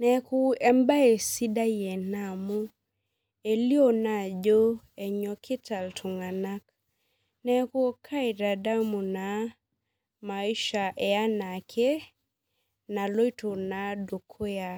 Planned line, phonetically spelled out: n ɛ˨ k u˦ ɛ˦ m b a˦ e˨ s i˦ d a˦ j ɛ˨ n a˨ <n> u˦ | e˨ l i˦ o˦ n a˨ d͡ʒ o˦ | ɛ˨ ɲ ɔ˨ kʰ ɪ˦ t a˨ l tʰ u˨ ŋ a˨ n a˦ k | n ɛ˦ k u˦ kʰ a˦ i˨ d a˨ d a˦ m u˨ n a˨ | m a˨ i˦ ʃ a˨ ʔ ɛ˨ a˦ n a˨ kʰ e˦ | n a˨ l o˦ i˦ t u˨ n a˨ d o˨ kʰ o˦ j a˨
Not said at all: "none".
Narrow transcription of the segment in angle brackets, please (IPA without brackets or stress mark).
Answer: m